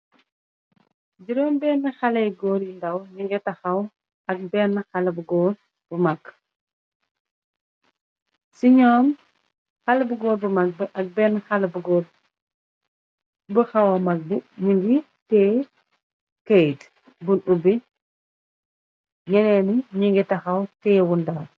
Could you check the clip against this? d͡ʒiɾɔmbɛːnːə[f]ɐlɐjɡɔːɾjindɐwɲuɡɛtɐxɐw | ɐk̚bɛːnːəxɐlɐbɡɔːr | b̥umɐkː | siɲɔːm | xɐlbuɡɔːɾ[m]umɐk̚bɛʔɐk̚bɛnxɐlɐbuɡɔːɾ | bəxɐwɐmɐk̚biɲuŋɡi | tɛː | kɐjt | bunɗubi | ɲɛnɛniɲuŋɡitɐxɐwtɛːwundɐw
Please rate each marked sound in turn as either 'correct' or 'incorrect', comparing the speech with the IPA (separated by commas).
incorrect, incorrect